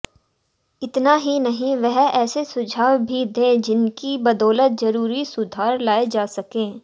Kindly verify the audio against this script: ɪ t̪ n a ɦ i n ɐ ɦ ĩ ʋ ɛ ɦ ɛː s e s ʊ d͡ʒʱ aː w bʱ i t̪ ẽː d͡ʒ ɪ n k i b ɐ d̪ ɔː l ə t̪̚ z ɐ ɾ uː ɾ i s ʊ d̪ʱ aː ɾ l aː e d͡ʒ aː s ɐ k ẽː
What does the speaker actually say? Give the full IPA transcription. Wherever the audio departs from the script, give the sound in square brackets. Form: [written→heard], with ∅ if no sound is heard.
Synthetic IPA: ɪ t̪ n a ɦ i n ɐ ɦ ĩ ʋ ɛ ɦ ɛː s e s ʊ d͡ʒʱ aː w bʱ i [t̪→d̪] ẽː d͡ʒ ɪ n k i b ɐ d̪ ɔː l ə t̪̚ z ɐ ɾ uː ɾ i s ʊ d̪ʱ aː ɾ l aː e d͡ʒ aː s ɐ k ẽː